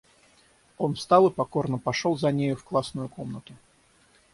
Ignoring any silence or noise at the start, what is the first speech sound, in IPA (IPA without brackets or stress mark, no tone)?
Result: o̞